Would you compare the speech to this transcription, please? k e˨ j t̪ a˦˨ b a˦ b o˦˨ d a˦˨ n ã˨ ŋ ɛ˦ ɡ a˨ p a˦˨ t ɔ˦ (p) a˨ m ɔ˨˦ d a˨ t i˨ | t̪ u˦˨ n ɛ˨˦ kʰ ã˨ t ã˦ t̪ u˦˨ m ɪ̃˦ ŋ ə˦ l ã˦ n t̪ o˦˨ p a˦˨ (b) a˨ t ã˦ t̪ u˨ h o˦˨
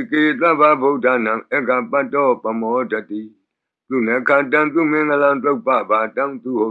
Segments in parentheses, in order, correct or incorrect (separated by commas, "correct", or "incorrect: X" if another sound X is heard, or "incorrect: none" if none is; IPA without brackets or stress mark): correct, correct